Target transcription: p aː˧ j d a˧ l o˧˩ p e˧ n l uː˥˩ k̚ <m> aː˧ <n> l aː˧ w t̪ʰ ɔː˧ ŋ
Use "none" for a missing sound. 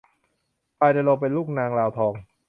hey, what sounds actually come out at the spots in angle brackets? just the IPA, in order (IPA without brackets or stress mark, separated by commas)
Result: n, ŋ